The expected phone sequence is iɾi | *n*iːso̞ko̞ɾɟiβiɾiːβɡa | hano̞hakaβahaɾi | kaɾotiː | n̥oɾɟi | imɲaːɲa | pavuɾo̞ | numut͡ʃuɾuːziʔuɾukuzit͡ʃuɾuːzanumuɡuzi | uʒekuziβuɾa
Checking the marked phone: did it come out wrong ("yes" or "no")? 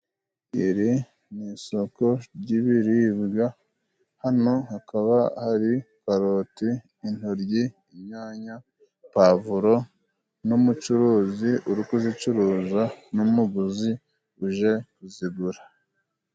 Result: no